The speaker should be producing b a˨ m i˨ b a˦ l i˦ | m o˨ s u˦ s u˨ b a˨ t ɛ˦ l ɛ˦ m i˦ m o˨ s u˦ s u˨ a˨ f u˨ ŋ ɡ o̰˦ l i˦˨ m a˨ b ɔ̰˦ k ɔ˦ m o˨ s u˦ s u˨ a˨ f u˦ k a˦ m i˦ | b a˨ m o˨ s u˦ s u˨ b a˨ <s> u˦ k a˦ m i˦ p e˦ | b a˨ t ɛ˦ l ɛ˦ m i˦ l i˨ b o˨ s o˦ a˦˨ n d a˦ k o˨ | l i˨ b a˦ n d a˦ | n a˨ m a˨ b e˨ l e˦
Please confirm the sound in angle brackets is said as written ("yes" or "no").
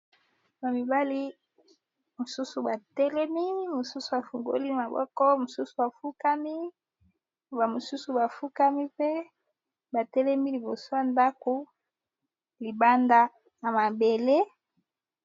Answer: no